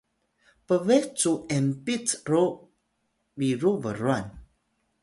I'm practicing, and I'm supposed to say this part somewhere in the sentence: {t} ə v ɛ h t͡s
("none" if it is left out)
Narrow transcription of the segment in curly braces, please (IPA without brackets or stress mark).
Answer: p